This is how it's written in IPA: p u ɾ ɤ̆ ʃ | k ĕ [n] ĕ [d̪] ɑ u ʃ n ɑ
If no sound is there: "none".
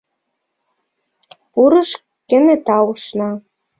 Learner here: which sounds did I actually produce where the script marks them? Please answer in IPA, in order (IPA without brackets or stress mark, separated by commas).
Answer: n, t̪